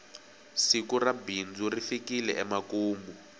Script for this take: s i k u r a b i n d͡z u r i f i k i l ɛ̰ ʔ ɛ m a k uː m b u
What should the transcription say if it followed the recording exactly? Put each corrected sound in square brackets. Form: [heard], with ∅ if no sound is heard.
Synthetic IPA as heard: s i k u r a b i n d͡z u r i f i k i l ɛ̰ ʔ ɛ m a k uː m b u

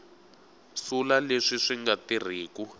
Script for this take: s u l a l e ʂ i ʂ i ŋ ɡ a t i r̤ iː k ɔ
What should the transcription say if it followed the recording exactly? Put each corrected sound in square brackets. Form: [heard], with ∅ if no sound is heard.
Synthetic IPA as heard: s u l a l e ʂ i ʂ i ŋ ɡ a t i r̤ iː k [u]

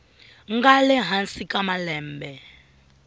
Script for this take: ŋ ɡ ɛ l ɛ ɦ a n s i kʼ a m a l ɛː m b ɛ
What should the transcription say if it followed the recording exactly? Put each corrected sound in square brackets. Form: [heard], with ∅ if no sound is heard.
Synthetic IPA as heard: ŋ ɡ [a] l ɛ ɦ a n s i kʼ a m a l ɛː m b ɛ

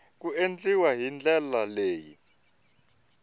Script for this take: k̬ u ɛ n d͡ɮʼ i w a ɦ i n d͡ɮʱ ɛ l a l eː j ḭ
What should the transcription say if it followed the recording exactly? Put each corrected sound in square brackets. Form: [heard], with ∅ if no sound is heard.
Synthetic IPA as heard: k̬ u [e] n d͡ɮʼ i w a ɦ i n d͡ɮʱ ɛ l a l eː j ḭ

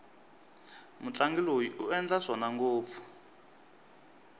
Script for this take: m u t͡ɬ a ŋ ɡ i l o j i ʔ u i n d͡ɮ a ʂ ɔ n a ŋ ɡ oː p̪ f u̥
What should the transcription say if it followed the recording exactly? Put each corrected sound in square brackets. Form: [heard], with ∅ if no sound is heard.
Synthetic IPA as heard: m u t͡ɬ a ŋ ɡ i l o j i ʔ u [ɛ] n d͡ɮ a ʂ ɔ n a ŋ ɡ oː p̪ f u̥

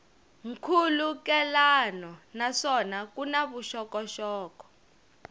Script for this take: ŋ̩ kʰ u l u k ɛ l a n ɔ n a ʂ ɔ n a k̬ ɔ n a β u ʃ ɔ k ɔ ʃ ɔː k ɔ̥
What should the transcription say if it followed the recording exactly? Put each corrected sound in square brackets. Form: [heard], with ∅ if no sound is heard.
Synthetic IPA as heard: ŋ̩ kʰ u l u k ɛ l a n ɔ n a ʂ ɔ n a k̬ [u] n a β u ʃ ɔ k ɔ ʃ ɔː k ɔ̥

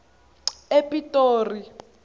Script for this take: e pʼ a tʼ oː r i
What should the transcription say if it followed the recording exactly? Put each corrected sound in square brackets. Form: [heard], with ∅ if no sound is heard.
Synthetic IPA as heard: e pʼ [i] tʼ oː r i

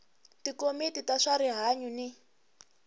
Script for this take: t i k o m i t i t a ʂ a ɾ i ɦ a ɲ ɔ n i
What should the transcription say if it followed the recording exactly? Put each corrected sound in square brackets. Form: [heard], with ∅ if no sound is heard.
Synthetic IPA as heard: t i k o m i t i t a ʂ a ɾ i ɦ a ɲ [u] n i

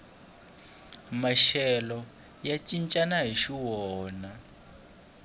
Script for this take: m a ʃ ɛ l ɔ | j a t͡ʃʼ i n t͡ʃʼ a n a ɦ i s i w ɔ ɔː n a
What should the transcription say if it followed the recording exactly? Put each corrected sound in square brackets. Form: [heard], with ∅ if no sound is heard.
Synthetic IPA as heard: m a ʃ ɛ l ɔ | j a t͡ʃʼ i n t͡ʃʼ a n a ɦ i [ʃ] i w ɔ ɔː n a

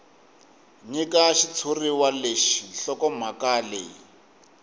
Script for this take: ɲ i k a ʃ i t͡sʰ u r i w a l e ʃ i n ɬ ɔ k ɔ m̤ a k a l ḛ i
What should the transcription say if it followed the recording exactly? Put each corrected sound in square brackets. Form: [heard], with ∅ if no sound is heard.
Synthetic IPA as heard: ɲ i k a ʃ i t͡sʰ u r i w a l e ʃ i n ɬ ɔ k ɔ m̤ a k a l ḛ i

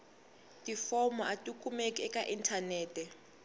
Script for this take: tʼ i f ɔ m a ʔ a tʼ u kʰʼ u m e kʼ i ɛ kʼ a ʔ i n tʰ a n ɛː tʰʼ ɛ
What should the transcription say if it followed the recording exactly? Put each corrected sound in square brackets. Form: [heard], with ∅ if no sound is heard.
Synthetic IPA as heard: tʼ i f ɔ m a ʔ a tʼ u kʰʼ u m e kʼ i ɛ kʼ a ʔ i n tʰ a n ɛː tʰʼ ɛ

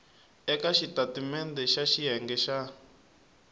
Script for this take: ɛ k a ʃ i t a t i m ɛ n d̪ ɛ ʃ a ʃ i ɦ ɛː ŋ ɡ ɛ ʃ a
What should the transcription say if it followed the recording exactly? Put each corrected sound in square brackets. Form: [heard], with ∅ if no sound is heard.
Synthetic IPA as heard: ɛ k a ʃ i t a t i m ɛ n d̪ ɛ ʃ a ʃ i ɦ [ɛ] ŋ ɡ ɛ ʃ a

